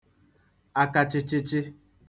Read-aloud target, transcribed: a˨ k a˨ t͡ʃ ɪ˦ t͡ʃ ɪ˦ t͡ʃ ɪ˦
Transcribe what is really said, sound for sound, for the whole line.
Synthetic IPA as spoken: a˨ k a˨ t͡ʃ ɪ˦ t͡ʃ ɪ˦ t͡ʃ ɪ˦

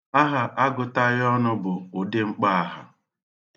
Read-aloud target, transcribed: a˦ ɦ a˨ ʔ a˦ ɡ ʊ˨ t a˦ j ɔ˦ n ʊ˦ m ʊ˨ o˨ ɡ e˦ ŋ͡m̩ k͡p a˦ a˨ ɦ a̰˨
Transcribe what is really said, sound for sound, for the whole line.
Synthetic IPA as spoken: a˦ ɦ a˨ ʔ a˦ ɡ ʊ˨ t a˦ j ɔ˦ n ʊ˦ b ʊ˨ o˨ d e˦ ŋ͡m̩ k͡p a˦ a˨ ɦ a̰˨

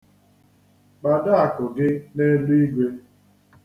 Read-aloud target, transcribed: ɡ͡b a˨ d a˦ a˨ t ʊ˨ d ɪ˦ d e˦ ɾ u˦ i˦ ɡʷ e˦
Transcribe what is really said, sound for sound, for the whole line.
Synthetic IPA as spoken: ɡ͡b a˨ d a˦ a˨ k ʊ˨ ɡ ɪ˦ n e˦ l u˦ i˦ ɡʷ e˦

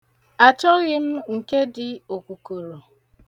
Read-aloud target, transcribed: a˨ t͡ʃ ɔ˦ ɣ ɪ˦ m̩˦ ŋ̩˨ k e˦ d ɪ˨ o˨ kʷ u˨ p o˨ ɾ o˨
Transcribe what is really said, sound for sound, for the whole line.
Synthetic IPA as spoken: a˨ t͡ʃ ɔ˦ ɣ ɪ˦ m̩˦ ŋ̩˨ k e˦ d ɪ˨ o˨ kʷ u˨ k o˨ ɾ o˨

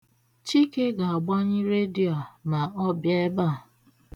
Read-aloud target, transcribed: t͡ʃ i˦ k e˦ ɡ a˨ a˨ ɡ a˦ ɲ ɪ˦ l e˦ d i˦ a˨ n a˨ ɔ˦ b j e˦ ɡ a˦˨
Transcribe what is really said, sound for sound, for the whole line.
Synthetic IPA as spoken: t͡ʃ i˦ k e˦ ɡ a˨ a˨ ɡ͡b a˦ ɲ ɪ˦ ɾ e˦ d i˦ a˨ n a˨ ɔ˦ b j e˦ b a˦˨

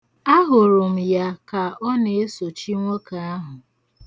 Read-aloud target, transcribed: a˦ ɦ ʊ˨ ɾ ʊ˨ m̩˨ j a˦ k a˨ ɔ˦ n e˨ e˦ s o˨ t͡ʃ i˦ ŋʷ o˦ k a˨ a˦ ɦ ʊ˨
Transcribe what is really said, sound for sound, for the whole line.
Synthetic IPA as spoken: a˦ ɦ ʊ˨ ɾ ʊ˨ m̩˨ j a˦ k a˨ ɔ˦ n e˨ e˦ s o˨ t͡ʃ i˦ ŋʷ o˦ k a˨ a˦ ɦ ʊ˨

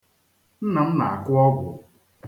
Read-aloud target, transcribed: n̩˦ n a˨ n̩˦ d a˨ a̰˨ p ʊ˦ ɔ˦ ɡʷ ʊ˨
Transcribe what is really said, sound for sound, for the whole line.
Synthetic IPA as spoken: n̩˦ n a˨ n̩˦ n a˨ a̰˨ k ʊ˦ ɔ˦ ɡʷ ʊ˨

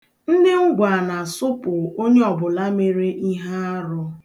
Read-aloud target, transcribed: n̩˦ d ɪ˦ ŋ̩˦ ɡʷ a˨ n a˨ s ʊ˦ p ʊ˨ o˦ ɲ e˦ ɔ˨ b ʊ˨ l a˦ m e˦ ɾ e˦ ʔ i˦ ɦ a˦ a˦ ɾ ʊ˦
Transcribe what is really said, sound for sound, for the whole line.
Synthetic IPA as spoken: n̩˦ d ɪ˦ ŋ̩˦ ɡʷ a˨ n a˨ s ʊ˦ p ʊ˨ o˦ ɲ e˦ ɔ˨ b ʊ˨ l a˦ m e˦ ɾ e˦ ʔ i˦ ɦ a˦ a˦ ɾ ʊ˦

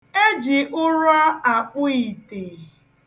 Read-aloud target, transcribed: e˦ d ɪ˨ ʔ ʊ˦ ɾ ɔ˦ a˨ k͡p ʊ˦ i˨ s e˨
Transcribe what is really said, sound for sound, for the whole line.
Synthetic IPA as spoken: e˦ d͡ʒ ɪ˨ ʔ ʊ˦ ɾ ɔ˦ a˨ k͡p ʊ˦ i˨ t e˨

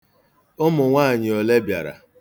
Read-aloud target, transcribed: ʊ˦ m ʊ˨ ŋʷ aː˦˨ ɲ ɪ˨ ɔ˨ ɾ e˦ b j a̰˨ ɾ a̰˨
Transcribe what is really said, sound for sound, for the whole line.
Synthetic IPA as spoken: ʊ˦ m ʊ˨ ŋʷ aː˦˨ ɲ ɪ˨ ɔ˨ l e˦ b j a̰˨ ɾ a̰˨

